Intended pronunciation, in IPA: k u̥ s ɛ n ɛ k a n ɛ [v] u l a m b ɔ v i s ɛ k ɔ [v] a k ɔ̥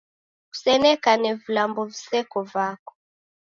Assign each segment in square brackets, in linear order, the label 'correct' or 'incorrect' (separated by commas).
correct, correct